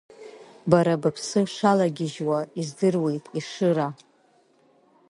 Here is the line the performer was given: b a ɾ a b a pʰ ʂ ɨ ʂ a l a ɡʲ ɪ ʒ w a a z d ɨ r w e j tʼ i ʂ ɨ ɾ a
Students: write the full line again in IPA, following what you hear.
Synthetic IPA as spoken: b a ɾ a b a pʰ s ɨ ʂ a l a ɡʲ ɪ ʒ w a i z d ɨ r w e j tʼ i ʂ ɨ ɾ a